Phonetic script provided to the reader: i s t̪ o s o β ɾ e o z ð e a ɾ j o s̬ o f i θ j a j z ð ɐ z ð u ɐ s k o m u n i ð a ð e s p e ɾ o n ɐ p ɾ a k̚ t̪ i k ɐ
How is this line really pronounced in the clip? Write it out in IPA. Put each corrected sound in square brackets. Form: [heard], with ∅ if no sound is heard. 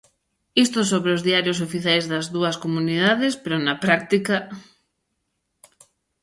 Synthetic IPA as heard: i s t̪ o s o β ɾ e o z ð [i] a ɾ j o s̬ o f i θ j a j z ð ɐ z ð u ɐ s k o m u n i ð a ð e s p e ɾ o n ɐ p ɾ a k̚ t̪ i k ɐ